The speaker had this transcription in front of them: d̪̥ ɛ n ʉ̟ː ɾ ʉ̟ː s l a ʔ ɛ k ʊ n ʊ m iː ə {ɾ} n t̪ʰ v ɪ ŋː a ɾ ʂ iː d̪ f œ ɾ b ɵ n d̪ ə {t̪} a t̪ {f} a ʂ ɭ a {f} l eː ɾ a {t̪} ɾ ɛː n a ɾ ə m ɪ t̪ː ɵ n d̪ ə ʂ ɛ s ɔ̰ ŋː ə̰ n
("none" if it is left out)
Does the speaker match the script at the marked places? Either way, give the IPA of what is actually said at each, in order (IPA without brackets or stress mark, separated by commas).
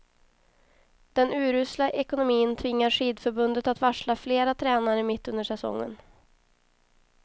none, t̪, v, f, t̪ʰ